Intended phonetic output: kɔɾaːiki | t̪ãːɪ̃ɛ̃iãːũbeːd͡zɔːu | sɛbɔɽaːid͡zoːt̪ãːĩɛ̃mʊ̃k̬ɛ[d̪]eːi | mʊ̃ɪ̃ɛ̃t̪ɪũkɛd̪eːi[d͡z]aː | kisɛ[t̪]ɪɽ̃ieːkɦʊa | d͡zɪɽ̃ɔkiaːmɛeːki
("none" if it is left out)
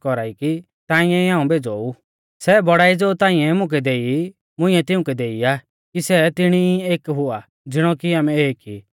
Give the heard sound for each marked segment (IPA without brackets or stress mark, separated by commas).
d̪, none, t̪